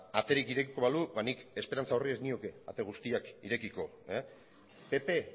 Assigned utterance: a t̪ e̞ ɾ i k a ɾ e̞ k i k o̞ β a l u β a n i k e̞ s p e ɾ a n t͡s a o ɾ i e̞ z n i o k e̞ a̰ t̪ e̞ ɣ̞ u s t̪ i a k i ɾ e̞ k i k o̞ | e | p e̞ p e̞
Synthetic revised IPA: a t̪ e̞ ɾ i k i ɾ e̞ k i k o̞ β a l u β a n i k e̞ s p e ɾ a n t͡s a o r i e̞ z n i o k e̞ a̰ t̪ e̞ ɣ̞ u s t̪ i a k i ɾ e̞ k i k o̞ | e | p e̞ p e̞